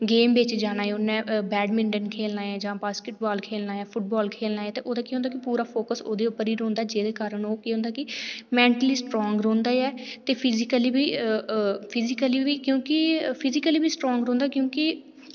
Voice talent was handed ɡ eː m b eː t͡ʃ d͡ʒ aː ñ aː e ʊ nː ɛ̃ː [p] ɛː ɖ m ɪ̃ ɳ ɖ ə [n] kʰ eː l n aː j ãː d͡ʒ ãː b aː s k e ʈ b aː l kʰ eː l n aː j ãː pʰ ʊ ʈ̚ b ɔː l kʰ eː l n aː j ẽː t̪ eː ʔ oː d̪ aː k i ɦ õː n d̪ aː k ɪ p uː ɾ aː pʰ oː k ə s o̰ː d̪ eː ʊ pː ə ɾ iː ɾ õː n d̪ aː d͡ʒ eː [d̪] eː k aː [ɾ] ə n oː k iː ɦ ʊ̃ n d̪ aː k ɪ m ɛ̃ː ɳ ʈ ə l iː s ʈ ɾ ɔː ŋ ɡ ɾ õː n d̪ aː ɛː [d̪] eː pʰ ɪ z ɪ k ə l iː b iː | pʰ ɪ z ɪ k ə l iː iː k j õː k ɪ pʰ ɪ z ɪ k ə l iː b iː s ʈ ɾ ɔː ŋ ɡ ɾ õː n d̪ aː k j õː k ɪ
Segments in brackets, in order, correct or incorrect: incorrect: b, correct, correct, correct, incorrect: t̪

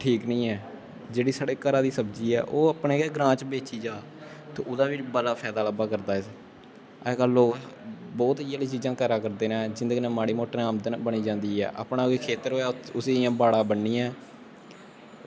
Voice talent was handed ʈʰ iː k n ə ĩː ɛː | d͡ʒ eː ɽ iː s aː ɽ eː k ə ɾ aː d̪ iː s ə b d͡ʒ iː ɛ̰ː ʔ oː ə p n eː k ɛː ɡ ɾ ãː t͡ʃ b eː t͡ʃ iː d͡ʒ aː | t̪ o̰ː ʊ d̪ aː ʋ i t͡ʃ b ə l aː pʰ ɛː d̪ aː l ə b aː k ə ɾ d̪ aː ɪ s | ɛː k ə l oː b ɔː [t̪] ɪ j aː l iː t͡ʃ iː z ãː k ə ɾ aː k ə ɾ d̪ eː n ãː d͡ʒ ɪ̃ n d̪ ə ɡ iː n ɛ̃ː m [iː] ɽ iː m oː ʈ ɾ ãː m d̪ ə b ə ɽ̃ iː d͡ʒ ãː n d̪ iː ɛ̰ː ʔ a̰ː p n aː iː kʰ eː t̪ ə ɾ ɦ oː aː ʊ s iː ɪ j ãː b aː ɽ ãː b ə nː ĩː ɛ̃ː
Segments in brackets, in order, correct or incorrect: correct, incorrect: aː

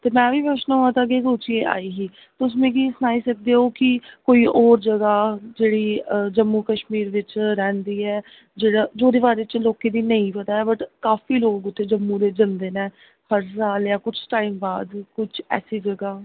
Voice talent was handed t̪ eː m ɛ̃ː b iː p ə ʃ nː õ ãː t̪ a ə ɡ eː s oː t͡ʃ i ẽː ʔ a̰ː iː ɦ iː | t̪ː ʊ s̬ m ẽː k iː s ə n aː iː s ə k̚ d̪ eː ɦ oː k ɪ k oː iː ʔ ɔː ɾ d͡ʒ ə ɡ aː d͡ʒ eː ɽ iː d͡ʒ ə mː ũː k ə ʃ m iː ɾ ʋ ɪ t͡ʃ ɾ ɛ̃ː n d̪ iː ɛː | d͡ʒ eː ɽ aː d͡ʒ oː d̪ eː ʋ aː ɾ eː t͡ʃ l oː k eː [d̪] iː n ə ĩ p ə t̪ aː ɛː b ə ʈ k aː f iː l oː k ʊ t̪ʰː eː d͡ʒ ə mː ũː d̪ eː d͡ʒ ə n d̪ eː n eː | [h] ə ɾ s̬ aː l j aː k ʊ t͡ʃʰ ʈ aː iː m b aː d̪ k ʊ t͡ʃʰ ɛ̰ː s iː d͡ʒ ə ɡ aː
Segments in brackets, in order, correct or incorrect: correct, correct

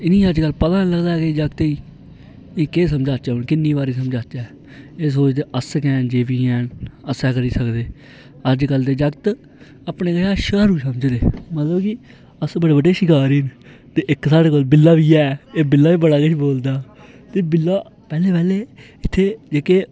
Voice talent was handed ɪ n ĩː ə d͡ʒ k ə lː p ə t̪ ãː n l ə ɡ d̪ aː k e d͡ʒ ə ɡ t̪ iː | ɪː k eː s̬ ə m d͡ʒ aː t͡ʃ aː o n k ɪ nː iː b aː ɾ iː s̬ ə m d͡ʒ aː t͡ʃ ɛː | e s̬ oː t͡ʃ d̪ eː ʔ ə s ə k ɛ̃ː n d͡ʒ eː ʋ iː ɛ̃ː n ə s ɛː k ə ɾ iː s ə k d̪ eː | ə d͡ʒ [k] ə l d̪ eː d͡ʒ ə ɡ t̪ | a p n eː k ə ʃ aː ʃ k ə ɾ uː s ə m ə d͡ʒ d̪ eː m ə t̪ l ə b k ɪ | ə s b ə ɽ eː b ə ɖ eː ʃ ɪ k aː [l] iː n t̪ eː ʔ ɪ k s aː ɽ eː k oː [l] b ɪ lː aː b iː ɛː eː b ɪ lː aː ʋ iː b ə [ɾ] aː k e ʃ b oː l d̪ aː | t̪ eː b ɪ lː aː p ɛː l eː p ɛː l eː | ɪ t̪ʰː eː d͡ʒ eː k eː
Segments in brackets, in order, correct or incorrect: correct, incorrect: ɾ, correct, incorrect: ɽ

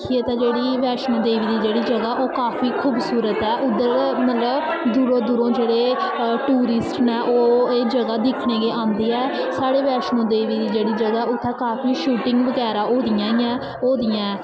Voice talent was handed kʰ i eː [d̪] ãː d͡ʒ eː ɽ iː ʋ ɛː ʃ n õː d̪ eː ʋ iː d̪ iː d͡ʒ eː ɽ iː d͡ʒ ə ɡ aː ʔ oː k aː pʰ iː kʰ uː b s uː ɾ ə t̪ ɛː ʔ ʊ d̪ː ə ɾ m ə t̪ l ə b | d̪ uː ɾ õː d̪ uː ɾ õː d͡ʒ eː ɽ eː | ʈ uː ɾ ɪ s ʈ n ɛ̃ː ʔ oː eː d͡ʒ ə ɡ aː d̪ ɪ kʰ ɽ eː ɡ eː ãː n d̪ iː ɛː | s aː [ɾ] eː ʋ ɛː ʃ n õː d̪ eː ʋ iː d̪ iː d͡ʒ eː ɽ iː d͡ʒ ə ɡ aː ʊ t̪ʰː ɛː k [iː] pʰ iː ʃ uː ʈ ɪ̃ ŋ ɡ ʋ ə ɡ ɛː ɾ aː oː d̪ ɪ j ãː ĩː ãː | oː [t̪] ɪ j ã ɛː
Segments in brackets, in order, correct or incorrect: incorrect: t̪, incorrect: ɽ, incorrect: aː, incorrect: d̪

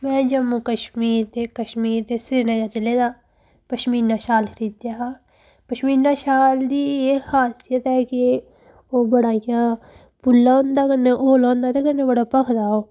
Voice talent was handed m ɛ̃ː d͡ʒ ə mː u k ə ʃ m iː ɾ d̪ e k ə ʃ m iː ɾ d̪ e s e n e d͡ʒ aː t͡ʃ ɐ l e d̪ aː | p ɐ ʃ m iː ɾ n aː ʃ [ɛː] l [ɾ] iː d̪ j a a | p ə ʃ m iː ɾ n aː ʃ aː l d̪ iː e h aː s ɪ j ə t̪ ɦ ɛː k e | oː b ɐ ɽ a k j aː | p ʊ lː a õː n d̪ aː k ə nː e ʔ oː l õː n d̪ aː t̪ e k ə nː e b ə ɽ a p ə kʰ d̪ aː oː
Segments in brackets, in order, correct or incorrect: incorrect: aː, correct

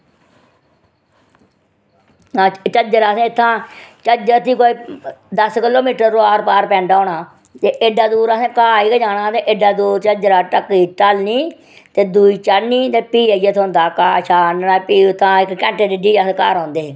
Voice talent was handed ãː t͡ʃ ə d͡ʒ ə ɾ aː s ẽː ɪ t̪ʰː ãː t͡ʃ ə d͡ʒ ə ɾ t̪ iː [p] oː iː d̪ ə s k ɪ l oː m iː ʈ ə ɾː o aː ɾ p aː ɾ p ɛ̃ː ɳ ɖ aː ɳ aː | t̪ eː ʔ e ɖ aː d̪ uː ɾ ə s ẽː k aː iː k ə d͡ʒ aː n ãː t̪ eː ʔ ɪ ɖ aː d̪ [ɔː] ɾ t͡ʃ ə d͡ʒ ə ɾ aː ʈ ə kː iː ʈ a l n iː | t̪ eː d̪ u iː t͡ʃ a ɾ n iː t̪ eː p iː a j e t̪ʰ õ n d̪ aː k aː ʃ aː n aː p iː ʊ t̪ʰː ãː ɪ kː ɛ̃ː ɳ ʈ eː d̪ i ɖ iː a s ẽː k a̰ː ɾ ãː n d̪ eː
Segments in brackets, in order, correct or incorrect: incorrect: k, incorrect: uː

